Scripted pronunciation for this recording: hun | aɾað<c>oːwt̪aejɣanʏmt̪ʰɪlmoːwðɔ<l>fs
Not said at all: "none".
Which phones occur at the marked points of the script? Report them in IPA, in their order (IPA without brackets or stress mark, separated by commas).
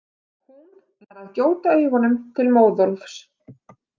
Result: c, l